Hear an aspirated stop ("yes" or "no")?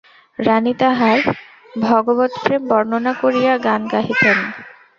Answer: no